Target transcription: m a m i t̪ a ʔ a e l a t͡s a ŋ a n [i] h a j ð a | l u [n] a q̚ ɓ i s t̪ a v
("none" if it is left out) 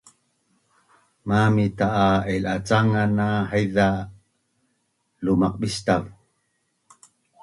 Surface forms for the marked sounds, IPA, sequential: a, m

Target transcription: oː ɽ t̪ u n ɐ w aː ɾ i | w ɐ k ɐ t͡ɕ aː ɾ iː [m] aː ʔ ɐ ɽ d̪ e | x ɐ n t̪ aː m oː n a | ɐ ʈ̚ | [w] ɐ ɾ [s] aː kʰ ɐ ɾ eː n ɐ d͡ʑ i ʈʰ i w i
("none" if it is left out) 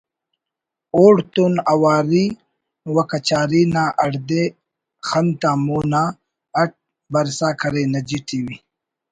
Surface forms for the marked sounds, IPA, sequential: n, b, s

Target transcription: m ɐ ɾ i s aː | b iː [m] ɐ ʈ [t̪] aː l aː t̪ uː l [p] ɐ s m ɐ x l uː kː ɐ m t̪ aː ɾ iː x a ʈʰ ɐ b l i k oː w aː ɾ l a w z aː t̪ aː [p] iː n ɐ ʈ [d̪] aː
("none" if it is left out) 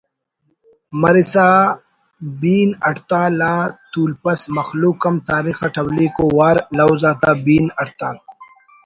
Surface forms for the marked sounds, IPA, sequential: n, t̪, p, b, t̪

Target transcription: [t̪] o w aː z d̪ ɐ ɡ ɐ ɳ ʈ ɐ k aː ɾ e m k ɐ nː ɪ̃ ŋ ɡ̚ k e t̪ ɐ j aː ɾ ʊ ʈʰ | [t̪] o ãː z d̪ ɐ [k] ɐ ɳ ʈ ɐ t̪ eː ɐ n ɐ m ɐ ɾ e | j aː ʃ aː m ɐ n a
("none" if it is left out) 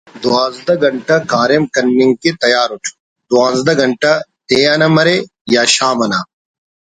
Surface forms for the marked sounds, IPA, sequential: d̪, d̪, ɡ

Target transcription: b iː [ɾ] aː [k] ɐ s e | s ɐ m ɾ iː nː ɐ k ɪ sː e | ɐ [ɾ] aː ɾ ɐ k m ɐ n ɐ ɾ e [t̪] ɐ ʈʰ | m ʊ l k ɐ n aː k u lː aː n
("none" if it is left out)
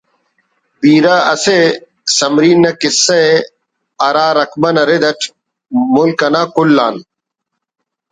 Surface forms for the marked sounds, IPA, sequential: ɾ, none, ɾ, d̪

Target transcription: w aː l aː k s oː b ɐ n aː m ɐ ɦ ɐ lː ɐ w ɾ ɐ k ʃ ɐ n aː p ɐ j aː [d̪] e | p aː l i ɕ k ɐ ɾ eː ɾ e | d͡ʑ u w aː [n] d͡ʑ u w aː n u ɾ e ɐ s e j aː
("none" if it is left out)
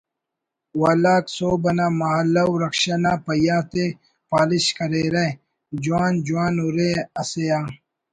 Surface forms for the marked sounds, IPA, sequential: t̪, n

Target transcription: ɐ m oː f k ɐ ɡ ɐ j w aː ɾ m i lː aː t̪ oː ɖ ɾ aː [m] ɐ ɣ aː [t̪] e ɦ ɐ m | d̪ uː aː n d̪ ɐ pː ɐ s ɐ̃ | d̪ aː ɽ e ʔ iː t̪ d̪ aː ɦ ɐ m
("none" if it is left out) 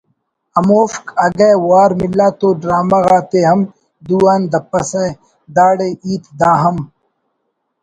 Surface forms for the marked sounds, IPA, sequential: m, t̪

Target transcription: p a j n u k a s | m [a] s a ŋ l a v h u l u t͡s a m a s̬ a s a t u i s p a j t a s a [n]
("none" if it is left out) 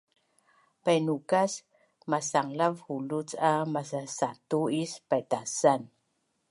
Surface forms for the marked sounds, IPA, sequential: a, n

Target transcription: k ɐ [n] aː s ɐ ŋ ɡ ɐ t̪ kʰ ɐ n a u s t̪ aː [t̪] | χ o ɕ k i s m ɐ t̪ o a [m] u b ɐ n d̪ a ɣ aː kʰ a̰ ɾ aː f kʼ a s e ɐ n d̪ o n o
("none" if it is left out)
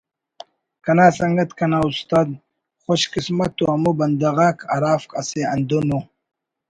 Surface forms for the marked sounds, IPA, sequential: n, d̪, m

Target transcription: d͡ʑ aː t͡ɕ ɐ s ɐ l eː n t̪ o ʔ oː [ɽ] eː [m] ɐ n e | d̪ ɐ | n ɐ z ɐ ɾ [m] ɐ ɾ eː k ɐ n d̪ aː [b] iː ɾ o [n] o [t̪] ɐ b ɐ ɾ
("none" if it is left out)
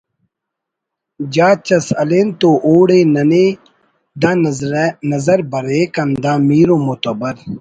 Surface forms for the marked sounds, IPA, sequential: ɽ, n, b, m, m, t̪

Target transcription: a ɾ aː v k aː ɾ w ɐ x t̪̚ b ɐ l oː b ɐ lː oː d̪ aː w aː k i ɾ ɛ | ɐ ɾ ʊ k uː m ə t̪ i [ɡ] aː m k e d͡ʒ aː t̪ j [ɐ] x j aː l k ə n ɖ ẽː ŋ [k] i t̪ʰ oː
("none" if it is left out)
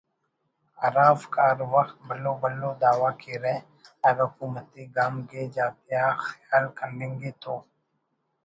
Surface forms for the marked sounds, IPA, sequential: ɡ, a, ɡ

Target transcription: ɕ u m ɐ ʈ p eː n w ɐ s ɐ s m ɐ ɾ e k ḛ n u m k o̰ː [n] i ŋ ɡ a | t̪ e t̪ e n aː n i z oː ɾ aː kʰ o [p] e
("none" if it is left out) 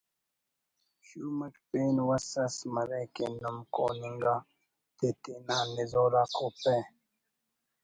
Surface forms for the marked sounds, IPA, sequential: n, p

